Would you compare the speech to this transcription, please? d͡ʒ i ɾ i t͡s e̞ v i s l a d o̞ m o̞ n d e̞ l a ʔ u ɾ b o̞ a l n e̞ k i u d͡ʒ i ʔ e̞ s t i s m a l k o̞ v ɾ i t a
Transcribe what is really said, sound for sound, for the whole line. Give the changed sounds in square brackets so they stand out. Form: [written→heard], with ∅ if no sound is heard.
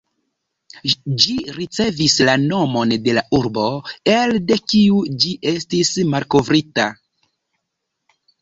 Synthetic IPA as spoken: d͡ʒ i ɾ i t͡s e̞ v i s l a [d→n] o̞ m o̞ n d e̞ l a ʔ u ɾ b o̞ [a→e] l [n→d] e̞ k i u d͡ʒ i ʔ e̞ s t i s m a l k o̞ v ɾ i t a